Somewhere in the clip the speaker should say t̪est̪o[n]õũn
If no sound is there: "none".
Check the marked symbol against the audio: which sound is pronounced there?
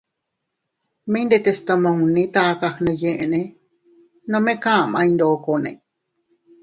m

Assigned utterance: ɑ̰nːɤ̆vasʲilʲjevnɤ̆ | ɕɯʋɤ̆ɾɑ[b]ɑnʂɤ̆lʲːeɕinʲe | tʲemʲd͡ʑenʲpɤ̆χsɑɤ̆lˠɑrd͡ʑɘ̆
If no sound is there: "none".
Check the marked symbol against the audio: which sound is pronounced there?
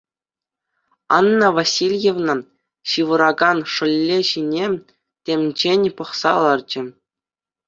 ɡ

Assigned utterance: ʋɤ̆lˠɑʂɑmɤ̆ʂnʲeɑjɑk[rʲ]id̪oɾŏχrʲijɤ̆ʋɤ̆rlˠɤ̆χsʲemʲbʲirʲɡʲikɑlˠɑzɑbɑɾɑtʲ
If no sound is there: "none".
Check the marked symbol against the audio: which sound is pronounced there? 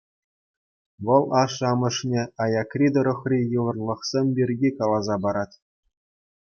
rʲ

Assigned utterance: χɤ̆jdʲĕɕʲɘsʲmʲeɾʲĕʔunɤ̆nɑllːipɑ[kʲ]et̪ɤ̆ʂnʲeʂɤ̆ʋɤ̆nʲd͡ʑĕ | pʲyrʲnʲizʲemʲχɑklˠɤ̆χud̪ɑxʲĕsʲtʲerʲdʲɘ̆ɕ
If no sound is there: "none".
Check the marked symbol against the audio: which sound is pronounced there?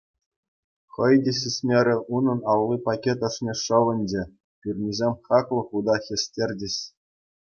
kʲ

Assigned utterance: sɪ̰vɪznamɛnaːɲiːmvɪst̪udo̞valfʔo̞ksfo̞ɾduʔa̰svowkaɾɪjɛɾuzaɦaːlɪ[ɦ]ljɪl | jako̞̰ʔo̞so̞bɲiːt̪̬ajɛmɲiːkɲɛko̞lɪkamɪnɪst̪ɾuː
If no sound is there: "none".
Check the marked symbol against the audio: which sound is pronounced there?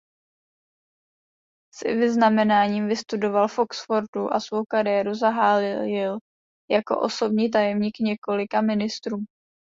none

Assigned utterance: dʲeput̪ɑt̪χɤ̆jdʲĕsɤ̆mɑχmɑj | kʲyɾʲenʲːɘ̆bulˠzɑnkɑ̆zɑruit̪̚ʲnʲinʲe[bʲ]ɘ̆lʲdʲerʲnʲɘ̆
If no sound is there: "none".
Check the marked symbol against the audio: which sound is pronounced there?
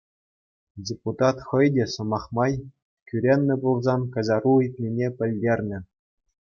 pʲ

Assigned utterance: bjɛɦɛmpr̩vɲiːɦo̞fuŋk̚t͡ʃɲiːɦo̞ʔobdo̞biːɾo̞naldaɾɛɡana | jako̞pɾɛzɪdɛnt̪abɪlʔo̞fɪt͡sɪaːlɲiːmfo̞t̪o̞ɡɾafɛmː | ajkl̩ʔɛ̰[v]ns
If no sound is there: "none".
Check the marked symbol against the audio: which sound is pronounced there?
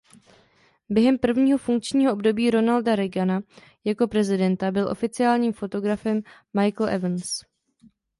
v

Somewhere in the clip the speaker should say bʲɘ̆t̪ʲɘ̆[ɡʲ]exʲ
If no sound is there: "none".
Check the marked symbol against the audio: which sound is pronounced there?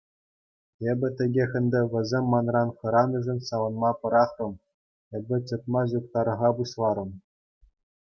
ɡʲ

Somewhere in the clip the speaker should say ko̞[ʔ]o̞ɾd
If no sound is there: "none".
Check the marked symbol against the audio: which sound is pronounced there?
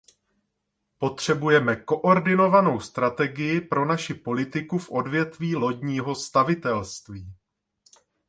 ʔ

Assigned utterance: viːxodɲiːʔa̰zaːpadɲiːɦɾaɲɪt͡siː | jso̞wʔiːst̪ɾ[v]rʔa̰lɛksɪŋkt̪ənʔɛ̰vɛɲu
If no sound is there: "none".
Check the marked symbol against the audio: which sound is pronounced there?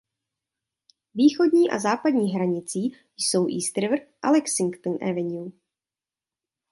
v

